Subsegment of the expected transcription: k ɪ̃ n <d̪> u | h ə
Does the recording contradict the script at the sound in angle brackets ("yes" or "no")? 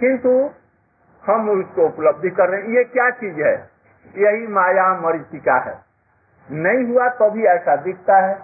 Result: yes